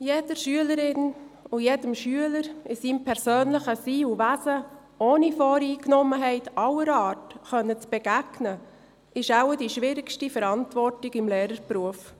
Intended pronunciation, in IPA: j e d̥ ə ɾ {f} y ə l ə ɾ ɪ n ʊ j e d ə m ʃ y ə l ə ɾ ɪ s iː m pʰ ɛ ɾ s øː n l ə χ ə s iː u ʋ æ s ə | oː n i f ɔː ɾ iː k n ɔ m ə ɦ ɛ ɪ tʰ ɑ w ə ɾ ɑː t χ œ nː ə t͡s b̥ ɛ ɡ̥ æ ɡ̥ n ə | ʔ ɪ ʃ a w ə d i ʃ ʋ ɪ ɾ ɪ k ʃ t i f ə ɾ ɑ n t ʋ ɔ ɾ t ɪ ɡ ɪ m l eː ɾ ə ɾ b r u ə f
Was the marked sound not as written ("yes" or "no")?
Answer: yes